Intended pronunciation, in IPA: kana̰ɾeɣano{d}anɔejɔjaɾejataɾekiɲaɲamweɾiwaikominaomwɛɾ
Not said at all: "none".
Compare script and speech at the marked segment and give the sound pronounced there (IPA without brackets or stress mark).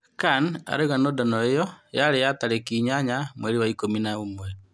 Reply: d